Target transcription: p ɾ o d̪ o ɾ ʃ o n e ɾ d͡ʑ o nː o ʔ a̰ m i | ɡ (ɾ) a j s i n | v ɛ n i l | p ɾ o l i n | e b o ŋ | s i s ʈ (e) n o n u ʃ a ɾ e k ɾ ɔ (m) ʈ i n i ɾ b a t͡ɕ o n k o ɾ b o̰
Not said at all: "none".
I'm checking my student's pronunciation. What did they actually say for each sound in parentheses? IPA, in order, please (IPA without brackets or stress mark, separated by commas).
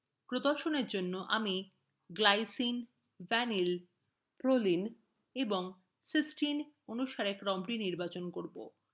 l, i, m